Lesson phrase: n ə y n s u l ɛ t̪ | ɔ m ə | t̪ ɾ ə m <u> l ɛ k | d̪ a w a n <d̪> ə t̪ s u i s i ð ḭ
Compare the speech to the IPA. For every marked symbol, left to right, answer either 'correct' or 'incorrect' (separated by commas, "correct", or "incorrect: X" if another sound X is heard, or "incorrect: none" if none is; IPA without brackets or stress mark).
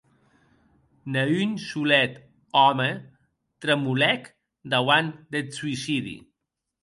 correct, correct